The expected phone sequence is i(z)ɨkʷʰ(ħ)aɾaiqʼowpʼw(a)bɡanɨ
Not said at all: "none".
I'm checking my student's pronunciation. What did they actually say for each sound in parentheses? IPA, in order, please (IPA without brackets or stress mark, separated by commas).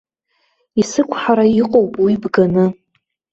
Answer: s, ħ, i